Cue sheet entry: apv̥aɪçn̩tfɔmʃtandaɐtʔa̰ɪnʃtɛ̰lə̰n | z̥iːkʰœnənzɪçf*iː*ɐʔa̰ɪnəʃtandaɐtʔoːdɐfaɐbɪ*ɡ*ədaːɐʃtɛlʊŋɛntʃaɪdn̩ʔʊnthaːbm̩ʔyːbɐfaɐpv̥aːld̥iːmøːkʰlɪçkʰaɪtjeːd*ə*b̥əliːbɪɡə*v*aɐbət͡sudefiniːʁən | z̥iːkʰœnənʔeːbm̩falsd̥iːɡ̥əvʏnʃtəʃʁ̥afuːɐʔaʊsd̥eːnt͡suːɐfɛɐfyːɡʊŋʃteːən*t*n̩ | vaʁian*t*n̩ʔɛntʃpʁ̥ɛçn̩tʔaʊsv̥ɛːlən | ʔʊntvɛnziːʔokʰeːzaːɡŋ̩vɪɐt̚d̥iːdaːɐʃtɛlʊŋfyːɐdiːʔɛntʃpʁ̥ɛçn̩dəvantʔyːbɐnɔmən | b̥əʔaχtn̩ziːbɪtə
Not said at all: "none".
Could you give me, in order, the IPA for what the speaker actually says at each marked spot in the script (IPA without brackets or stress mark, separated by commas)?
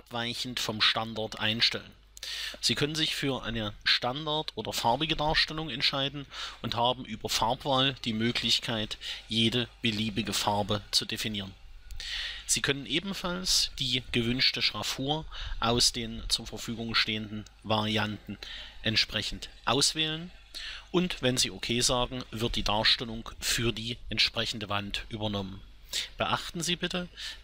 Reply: yː, ɡ, ə, f, d, t